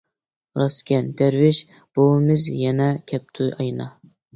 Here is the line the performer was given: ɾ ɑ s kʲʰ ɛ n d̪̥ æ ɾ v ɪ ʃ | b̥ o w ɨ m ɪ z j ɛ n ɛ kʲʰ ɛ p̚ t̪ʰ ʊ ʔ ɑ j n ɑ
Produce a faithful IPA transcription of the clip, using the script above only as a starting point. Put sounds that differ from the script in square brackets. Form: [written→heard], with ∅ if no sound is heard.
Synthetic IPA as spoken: ɾ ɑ s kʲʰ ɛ n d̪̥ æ ɾ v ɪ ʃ | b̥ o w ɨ m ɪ z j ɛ n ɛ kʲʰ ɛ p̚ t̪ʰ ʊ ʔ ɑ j n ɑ